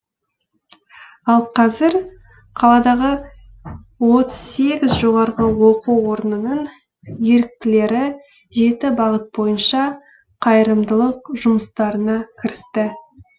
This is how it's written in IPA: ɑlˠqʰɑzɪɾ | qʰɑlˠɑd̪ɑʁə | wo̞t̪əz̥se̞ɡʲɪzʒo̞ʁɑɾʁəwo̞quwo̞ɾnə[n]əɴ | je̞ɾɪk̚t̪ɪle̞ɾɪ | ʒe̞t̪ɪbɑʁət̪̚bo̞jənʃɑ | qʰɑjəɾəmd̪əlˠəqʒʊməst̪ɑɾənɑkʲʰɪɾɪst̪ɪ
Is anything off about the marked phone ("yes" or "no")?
no